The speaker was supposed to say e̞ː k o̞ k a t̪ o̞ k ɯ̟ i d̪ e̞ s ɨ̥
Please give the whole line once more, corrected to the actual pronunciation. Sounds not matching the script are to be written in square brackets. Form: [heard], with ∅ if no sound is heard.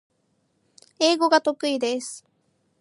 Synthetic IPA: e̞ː [ɡ] o̞ [ɡ] a t̪ o̞ k ɯ̟ i d̪ e̞ s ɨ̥